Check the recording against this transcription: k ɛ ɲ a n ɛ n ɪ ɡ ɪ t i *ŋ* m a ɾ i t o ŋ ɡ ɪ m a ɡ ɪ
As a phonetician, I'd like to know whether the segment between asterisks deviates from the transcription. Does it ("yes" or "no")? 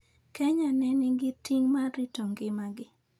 no